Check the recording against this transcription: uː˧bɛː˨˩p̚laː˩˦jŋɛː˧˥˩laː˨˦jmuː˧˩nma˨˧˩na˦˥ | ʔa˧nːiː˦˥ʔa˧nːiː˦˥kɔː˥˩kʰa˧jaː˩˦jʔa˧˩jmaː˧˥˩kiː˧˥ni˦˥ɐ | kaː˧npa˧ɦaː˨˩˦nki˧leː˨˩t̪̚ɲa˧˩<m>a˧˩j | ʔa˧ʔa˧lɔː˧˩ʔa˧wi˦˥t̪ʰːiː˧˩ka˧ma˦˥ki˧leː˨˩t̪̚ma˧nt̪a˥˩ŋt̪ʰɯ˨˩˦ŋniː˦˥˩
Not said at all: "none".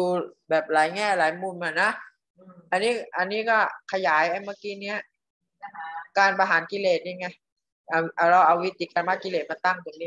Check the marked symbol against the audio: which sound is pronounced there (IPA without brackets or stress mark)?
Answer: ŋ